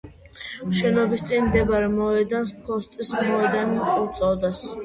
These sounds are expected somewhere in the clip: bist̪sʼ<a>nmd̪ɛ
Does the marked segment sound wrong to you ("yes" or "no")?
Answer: yes